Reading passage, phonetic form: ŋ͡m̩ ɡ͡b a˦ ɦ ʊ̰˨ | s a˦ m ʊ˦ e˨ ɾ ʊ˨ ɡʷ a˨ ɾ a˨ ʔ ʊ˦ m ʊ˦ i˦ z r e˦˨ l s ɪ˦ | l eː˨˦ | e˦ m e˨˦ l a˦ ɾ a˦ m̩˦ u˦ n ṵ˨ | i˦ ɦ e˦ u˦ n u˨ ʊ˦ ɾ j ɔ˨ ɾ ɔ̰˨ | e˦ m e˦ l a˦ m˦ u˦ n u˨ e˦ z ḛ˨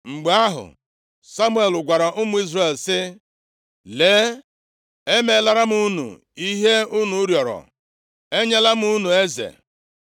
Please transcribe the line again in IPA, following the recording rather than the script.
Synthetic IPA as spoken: ŋ͡m̩ ɡ͡b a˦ ɦ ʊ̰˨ | s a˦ m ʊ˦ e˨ l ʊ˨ ɡʷ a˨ ɾ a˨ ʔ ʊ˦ m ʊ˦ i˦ z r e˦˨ l s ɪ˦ | l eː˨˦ | e˦ m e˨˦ l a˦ ɾ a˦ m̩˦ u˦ n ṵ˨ | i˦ ɦ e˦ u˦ n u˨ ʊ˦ ɾ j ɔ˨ ɾ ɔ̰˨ | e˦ ɲ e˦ l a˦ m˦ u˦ n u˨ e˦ z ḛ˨